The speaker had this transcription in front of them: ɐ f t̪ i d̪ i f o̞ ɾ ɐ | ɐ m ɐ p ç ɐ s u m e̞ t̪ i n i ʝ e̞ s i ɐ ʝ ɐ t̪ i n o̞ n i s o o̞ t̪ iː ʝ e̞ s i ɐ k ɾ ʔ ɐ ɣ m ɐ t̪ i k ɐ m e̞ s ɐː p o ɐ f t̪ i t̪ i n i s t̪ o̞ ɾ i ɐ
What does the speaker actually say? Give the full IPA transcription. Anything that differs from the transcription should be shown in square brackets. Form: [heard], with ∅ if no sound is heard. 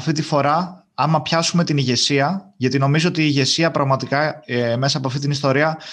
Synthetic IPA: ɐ f t̪ i [t̪] i f o̞ ɾ ɐ | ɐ m ɐ p ç ɐ s u m e̞ t̪ i n i ʝ e̞ s i ɐ ʝ ɐ t̪ i n o̞ [m] i [z] o o̞ t̪ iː ʝ e̞ s i ɐ [p] ɾ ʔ ɐ ɣ m ɐ t̪ i k ɐ m e̞ s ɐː p o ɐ f t̪ i t̪ i n i s t̪ o̞ ɾ i ɐ